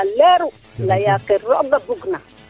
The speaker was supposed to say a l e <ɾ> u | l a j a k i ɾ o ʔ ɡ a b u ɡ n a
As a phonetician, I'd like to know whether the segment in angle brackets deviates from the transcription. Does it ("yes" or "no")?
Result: no